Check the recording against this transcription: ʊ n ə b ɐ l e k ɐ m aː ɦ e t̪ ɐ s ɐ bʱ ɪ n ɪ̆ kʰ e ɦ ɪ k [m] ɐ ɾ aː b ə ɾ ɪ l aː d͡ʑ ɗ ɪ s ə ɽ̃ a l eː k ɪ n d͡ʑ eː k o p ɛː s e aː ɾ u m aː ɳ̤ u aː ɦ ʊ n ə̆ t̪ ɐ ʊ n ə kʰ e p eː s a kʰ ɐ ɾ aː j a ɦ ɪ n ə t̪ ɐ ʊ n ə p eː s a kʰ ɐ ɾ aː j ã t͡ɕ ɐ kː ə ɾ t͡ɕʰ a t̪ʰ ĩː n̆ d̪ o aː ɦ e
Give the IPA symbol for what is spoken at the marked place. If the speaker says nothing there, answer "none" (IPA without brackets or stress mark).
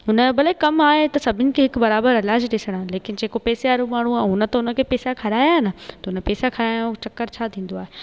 b